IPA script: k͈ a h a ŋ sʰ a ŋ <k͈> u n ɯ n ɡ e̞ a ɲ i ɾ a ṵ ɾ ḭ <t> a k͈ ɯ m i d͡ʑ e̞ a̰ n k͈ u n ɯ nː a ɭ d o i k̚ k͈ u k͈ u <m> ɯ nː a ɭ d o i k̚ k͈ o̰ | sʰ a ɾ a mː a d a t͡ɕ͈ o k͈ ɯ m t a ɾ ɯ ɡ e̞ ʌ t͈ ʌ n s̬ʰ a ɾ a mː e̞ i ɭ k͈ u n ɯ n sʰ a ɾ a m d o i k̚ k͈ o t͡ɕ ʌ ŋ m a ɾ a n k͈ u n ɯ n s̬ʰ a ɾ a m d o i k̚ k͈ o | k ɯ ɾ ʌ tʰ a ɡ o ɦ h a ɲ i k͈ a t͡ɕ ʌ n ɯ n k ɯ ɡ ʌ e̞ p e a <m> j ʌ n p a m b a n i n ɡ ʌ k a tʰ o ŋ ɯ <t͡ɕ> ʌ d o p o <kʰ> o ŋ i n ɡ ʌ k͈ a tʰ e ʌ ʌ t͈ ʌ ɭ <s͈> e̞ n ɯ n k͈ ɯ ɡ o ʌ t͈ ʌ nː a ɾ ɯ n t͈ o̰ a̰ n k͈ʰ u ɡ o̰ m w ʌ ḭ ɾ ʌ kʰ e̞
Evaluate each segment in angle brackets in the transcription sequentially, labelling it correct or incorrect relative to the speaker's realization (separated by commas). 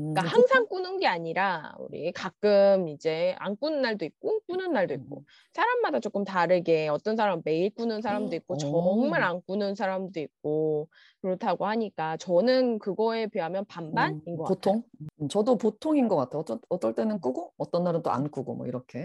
correct, incorrect, incorrect, correct, correct, incorrect, incorrect